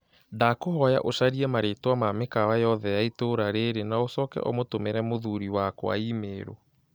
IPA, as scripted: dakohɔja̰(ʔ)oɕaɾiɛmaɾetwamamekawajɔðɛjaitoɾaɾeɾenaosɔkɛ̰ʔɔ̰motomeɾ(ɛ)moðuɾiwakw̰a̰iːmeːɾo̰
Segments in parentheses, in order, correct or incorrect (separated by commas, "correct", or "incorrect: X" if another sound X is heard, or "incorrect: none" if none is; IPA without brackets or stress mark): correct, correct